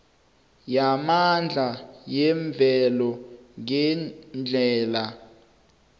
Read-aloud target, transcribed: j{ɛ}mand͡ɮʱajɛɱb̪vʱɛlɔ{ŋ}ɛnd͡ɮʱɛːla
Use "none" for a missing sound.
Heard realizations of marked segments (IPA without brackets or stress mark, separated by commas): a, ŋ